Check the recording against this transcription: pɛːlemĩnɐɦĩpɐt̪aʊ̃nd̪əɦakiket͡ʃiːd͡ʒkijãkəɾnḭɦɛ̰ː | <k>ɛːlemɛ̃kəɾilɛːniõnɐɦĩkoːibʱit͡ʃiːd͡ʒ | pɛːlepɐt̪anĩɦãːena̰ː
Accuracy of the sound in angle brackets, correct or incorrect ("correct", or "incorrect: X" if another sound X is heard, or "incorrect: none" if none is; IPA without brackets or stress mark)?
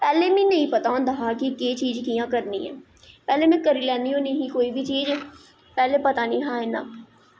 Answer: incorrect: p